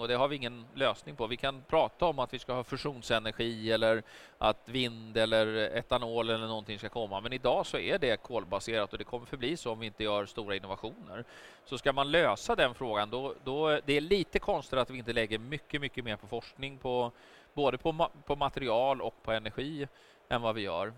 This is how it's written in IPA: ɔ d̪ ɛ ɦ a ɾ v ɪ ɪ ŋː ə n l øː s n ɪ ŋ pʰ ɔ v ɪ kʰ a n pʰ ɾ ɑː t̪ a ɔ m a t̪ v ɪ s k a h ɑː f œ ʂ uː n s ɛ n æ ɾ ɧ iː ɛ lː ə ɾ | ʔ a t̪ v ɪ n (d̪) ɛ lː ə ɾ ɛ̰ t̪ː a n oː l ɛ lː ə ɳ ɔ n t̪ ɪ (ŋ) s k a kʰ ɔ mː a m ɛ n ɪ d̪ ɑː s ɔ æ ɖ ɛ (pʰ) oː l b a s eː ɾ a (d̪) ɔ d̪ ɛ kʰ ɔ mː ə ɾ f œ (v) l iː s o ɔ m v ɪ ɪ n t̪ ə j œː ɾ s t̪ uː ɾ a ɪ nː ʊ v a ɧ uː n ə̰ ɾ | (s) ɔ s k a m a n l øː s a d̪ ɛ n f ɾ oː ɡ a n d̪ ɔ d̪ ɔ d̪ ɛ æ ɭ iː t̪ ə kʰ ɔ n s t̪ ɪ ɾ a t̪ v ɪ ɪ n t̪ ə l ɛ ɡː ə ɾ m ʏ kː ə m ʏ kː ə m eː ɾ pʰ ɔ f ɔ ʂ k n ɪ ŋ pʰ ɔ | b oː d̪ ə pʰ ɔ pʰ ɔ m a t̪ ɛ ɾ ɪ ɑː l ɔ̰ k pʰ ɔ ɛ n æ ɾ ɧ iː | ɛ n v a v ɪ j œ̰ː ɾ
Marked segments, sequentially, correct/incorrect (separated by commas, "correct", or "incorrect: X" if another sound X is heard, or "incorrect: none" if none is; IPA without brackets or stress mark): correct, correct, incorrect: kʰ, incorrect: t̪, incorrect: b, correct